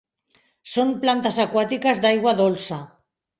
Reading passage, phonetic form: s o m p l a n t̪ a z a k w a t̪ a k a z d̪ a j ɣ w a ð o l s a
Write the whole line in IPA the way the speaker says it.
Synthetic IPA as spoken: s o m p l a n t̪ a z a k w a t̪ i k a z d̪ a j ɣ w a ð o l s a